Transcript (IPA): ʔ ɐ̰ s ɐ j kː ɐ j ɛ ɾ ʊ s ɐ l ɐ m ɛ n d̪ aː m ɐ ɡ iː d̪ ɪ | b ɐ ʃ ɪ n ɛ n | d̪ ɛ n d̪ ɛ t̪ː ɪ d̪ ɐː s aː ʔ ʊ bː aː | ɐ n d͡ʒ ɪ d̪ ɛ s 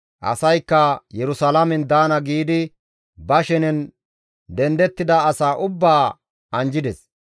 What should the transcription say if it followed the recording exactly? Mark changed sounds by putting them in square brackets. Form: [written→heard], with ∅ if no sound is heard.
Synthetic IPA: ʔ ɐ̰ s ɐ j kː ɐ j ɛ ɾ ʊ s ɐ l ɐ m ɛ n d̪ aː [m→n] ɐ ɡ iː d̪ ɪ | b ɐ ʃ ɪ n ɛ n | d̪ ɛ n d̪ ɛ t̪ː ɪ d̪ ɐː s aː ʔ ʊ bː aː | ɐ n d͡ʒ ɪ d̪ ɛ s